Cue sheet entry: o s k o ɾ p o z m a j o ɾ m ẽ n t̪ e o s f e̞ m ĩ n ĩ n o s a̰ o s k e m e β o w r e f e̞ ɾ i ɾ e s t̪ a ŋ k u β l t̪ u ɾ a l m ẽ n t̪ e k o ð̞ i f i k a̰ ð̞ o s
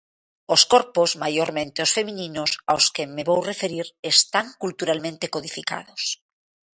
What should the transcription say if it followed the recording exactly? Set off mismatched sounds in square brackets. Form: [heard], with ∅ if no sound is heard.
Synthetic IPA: o s k o ɾ p o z m a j o ɾ m ẽ n t̪ e o s f e̞ m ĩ n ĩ n o s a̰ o s k e m e β o w r e f e̞ ɾ i ɾ e s t̪ a ŋ k u [∅] l t̪ u ɾ a l m ẽ n t̪ e k o ð̞ i f i k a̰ ð̞ o s